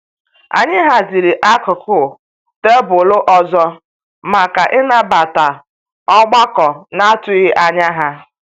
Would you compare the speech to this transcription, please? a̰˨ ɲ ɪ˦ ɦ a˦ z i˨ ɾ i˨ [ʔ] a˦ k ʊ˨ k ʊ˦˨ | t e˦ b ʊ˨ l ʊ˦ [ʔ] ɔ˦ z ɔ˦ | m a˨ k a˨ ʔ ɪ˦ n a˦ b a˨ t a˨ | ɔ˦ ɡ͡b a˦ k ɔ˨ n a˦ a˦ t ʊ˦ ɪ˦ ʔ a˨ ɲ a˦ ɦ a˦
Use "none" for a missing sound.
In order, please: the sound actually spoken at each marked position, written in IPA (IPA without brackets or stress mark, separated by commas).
ʔ, ʔ